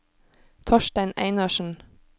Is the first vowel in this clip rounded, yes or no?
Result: yes